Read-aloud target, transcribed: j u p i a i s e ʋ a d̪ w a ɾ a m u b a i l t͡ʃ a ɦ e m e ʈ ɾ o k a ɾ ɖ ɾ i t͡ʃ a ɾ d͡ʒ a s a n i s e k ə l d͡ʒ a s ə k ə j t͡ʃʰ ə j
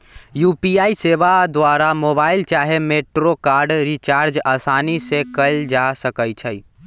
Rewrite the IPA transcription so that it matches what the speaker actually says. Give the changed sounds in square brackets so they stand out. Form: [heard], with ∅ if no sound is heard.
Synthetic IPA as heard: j u p i a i s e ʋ a d̪ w a ɾ a m [o] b a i l t͡ʃ a ɦ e m e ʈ ɾ o k a ɾ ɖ ɾ i t͡ʃ a ɾ d͡ʒ a s a n i s e k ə l d͡ʒ a s ə k ə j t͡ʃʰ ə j